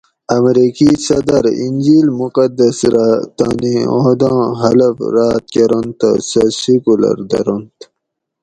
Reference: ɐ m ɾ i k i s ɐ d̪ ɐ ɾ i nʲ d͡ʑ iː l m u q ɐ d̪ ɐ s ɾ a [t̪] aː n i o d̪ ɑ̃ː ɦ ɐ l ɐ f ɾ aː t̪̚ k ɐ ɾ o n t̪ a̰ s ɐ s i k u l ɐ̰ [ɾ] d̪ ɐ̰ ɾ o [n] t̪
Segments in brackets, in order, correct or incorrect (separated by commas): correct, correct, correct